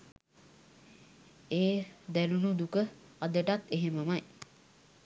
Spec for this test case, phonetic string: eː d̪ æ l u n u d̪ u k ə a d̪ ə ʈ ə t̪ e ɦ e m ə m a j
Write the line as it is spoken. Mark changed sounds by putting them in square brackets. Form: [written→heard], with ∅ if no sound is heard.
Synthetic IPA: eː d̪ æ l u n u d̪ u k ə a d̪ ə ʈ [ə→a] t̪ e ɦ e m ə m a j